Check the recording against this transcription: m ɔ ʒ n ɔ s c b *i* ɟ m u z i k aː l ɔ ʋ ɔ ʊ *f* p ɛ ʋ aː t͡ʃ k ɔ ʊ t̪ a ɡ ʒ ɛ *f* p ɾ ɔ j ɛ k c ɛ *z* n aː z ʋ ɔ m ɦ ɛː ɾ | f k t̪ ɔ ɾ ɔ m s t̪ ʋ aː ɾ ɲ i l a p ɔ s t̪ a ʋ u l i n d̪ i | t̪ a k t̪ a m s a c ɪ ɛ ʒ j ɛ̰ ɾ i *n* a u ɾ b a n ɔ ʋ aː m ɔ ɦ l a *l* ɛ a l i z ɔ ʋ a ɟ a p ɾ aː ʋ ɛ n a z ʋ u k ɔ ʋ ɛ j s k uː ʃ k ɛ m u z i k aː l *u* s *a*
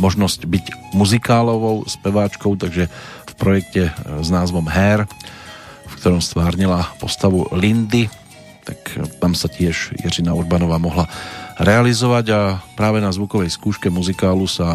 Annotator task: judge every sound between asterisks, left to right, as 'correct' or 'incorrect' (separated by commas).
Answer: correct, incorrect, correct, correct, correct, incorrect, correct, correct